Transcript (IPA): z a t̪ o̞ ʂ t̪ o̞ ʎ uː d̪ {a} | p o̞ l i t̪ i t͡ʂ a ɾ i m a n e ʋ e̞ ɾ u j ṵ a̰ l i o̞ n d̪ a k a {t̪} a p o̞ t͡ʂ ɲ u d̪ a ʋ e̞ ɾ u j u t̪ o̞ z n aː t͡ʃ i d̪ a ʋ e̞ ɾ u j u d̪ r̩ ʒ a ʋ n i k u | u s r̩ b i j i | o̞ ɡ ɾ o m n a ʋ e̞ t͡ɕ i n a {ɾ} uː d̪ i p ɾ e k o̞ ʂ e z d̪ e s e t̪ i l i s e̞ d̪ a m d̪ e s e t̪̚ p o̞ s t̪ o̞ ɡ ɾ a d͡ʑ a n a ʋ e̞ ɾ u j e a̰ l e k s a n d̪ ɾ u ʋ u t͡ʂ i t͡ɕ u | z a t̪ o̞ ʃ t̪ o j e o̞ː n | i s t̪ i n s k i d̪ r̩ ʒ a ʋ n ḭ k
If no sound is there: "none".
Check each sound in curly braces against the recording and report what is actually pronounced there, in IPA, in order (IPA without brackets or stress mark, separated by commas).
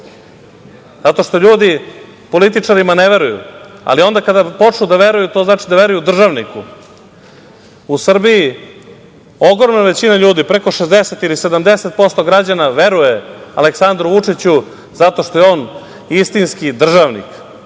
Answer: i, d̪, ʎ